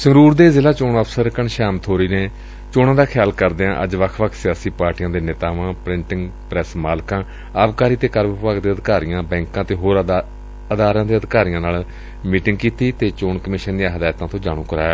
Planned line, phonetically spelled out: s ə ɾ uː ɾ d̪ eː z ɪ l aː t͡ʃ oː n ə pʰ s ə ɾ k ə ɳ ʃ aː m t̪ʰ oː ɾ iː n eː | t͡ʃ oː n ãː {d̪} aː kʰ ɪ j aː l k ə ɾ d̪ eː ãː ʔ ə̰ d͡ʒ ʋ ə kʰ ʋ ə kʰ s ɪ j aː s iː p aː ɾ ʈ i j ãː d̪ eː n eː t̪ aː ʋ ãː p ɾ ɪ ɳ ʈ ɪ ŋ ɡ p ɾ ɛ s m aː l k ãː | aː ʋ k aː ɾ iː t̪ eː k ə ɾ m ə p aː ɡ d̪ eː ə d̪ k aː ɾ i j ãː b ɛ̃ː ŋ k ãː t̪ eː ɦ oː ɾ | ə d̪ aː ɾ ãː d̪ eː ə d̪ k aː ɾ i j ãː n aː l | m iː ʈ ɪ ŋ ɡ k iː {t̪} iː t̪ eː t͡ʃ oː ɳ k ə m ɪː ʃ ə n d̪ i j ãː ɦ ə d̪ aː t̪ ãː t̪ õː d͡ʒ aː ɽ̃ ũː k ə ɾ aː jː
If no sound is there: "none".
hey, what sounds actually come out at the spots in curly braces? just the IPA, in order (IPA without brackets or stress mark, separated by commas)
d̪, t̪